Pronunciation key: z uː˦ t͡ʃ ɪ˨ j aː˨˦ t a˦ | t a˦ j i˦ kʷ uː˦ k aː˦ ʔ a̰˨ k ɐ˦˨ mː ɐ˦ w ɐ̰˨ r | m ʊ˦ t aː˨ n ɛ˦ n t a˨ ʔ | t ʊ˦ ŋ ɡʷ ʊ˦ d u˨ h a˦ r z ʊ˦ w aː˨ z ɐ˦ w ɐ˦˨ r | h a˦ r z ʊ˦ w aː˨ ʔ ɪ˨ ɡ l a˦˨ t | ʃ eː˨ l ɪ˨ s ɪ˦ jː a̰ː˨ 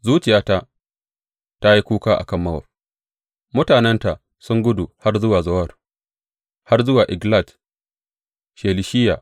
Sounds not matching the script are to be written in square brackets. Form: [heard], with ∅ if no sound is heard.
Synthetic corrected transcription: z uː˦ t͡ʃ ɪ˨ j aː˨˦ t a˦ | t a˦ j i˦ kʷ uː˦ k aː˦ ʔ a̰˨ k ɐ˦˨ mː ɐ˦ w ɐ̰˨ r | m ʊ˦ t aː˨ n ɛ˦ n t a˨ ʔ | [s] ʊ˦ ŋ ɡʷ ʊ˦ d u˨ h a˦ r z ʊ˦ w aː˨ z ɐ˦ w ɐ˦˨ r | h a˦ r z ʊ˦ w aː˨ ʔ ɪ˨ ɡ l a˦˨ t | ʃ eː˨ l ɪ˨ [ʃ] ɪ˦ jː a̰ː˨